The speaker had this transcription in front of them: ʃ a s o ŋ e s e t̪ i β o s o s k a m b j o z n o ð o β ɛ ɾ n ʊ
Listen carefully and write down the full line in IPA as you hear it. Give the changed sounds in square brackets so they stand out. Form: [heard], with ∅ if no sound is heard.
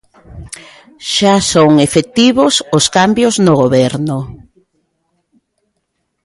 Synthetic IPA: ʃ a s o ŋ e [f] e t̪ i β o s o s k a m b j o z n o [ɣ] o β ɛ ɾ n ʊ